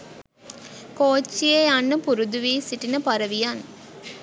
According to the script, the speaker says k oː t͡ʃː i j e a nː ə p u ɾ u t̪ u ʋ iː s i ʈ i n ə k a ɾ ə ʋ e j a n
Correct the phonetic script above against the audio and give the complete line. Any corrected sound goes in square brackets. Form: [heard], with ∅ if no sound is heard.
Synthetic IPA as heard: k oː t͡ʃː i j e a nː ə p u ɾ u [d̪] u ʋ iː s i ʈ i n ə [p] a ɾ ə ʋ [i] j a n